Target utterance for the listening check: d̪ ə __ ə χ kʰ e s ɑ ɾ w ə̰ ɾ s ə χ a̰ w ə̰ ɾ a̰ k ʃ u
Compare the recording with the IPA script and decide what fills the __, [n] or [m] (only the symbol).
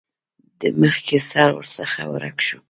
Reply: m